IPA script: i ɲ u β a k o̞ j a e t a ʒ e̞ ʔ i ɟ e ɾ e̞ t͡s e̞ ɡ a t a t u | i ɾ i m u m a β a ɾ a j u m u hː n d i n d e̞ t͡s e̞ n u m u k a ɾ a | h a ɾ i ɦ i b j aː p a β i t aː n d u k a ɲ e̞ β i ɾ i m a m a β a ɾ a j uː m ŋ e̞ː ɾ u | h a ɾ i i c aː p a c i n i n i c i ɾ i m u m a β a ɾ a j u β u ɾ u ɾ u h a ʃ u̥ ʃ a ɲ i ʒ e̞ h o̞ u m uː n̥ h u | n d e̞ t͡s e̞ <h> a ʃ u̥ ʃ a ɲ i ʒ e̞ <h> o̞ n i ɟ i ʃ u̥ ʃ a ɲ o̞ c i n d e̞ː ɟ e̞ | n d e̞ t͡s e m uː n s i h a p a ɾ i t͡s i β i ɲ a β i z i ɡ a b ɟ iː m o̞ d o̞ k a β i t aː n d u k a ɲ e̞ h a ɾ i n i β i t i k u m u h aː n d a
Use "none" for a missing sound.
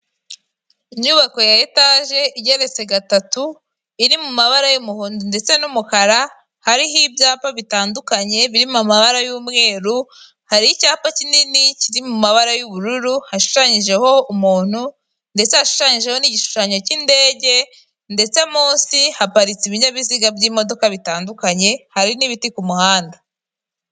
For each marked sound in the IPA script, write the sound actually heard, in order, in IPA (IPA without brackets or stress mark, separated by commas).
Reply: h, h